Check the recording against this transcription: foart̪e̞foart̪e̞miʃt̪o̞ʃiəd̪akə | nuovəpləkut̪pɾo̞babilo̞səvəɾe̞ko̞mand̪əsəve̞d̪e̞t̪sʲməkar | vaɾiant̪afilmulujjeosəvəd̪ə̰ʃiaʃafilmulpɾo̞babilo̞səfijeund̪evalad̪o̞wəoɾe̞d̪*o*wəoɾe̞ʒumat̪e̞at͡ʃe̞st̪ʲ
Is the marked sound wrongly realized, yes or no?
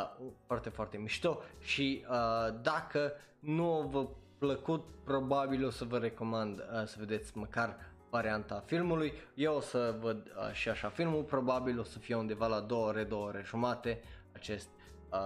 no